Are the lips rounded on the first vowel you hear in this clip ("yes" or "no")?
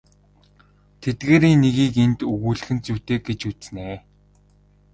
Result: no